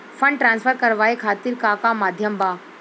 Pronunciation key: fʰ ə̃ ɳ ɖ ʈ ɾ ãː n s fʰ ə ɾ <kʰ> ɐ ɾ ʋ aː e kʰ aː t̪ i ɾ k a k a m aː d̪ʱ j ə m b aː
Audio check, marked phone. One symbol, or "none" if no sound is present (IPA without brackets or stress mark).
k